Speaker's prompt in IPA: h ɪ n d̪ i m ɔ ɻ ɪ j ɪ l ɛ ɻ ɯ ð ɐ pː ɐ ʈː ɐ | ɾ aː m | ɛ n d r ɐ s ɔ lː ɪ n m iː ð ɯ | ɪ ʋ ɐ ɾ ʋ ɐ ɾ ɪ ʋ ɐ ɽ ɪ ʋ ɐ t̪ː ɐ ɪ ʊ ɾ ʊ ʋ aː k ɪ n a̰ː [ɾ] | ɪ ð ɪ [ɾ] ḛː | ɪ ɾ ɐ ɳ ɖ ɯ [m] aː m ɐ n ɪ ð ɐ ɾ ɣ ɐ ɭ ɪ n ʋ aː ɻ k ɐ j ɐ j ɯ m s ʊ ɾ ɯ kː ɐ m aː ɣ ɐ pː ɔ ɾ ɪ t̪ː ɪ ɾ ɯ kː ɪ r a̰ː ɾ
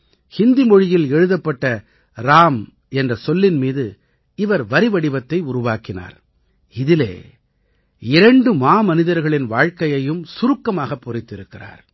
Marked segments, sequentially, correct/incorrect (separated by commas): correct, incorrect, correct